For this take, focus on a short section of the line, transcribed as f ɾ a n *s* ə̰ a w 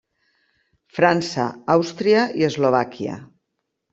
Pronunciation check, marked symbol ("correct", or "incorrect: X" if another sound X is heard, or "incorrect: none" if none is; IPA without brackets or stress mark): correct